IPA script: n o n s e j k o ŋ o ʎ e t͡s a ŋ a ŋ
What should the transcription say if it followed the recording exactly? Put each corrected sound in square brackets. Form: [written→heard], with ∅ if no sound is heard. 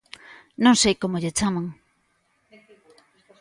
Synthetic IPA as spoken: n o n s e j k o [ŋ→m] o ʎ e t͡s a [ŋ→m] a ŋ